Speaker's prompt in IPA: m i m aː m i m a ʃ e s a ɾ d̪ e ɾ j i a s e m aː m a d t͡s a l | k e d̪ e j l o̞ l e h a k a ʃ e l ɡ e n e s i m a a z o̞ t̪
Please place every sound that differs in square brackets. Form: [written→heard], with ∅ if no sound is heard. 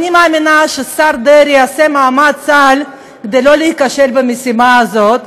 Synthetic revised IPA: [m→n] i m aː m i [m→n] a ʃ e s a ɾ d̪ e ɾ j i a s e m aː m a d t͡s a l | k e d̪ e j l o̞ l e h [a→i] k a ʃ e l [ɡ→b] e [n→m] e s i m a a z o̞ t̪